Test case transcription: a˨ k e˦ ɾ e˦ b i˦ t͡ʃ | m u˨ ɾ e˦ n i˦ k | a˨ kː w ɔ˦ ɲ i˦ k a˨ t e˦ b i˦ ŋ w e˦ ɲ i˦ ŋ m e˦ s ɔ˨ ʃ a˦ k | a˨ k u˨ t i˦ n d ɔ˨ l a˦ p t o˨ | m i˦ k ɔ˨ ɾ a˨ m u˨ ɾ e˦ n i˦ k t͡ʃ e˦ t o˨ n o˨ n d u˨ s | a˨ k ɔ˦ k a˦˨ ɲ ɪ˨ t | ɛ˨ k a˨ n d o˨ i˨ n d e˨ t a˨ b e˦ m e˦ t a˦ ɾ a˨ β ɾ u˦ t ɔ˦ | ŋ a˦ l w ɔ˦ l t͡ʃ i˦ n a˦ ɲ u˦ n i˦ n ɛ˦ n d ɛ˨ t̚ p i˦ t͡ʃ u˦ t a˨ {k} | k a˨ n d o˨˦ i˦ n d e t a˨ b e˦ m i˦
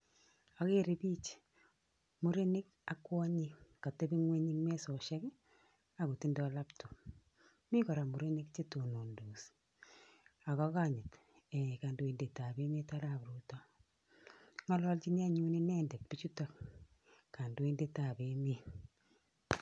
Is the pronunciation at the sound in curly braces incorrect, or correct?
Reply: correct